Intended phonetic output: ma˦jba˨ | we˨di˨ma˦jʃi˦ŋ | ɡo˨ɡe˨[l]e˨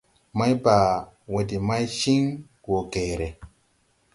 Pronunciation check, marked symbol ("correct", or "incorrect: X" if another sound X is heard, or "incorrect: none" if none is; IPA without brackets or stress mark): incorrect: ɾ